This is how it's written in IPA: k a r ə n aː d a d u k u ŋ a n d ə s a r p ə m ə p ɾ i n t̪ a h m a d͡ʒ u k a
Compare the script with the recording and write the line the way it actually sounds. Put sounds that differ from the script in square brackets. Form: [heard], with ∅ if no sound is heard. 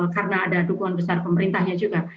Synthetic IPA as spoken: k a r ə n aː d a d u k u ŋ a n [b] ə s a r p ə m ə [∅] ɾ i n t̪ a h [ɲ] a d͡ʒ u [ɡ] a